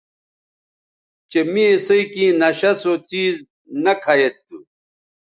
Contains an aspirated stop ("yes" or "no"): yes